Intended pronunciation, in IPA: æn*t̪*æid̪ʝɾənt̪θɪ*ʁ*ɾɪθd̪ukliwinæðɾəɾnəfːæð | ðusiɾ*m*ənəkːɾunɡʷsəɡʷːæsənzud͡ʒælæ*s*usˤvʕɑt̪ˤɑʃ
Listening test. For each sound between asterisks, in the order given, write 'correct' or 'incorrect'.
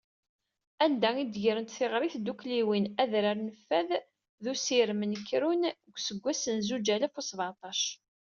incorrect, correct, correct, incorrect

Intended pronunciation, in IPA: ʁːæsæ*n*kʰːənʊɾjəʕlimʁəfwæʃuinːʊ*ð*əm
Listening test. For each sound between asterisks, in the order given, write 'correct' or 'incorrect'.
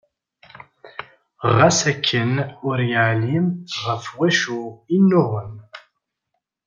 incorrect, incorrect

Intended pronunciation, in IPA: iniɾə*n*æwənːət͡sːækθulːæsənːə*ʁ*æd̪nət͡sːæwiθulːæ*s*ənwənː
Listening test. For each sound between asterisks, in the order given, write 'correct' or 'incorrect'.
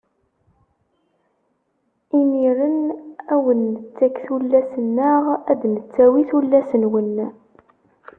correct, correct, correct

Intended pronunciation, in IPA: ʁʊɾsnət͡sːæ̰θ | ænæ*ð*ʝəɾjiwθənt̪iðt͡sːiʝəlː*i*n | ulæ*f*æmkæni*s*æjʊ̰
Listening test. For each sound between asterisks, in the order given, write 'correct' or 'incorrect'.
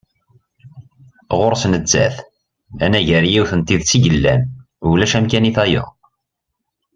incorrect, incorrect, incorrect, incorrect

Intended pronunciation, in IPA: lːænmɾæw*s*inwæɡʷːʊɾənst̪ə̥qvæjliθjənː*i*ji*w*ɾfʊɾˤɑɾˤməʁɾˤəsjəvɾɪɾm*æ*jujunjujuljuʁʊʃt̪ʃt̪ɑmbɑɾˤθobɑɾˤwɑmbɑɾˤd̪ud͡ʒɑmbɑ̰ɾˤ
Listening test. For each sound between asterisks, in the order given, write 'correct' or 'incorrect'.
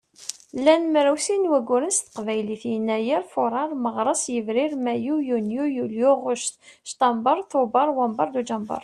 correct, incorrect, incorrect, correct

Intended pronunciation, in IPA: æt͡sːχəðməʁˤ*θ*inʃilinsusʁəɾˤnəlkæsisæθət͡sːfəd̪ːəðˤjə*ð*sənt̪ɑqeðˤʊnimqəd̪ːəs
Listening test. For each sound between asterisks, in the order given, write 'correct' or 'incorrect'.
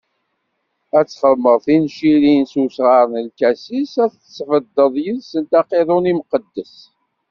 correct, correct

